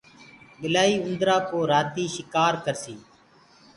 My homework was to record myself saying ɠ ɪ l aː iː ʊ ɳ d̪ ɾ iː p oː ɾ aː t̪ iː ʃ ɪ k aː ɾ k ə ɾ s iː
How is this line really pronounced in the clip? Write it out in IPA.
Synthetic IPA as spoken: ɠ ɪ l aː iː ʊ n d̪ ɾ aː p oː ɾ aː t̪ iː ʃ ɪ k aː ɾ k ə ɾ s iː